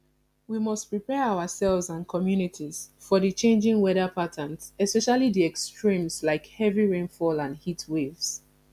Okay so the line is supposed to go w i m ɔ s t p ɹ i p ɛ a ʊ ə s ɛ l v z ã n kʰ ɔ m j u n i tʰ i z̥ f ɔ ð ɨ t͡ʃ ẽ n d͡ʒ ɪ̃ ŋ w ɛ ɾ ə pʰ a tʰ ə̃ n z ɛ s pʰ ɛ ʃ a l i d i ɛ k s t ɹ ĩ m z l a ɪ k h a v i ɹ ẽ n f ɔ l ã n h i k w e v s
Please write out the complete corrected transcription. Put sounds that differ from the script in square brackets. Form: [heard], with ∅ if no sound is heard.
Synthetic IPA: w i m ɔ s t p ɹ i p ɛ a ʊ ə s ɛ l v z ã n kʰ ɔ m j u n i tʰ i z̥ f ɔ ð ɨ t͡ʃ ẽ n d͡ʒ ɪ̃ ŋ w ɛ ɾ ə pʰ a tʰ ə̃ n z ɛ s [p] ɛ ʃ a l i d i ɛ k s t ɹ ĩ m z l a ɪ k h [ɛ] v i ɹ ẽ n f ɔ l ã n h i [t] w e v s